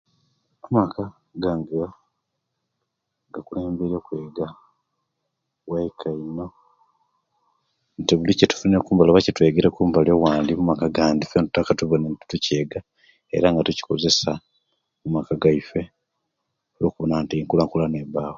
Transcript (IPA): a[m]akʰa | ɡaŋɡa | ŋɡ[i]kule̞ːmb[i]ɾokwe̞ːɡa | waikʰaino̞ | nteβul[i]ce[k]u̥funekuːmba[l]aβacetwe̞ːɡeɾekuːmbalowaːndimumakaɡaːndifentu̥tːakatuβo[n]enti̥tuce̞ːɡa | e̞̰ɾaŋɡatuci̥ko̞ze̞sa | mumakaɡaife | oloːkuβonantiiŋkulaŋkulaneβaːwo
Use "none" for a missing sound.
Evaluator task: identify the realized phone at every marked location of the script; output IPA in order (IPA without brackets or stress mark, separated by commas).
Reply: m, a, e, i, t, l, n